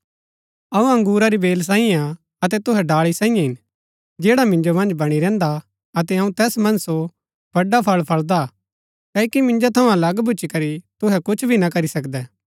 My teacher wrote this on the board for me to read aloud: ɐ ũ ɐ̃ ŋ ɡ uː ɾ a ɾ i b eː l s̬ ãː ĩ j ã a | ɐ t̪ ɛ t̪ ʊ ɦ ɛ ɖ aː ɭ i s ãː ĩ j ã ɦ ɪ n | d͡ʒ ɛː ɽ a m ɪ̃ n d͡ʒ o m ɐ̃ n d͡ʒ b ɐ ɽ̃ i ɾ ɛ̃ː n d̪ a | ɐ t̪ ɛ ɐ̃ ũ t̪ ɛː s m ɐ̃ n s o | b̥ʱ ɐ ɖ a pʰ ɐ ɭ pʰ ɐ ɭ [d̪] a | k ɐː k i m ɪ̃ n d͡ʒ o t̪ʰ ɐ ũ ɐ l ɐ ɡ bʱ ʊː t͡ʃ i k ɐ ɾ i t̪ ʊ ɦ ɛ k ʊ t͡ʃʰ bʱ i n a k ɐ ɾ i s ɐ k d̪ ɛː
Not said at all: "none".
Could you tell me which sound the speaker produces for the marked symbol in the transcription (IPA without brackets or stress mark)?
d̪